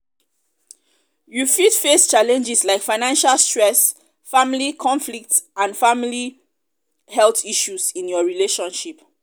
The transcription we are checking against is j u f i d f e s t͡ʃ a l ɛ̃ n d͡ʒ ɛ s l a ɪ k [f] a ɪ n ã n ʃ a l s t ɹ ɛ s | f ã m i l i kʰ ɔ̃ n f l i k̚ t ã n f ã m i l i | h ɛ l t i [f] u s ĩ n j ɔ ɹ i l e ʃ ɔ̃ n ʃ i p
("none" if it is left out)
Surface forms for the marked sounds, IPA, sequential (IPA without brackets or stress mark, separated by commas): f, ʃ